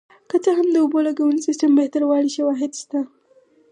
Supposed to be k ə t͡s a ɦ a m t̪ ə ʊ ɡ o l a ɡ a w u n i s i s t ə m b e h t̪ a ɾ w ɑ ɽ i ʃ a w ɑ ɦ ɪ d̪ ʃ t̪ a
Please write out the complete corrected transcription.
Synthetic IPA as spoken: k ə t͡s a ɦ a m d̪ ə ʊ b o l a ɡ a w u n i s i s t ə m b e h t̪ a ɾ w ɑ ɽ i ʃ a w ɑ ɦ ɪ d̪ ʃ t̪ a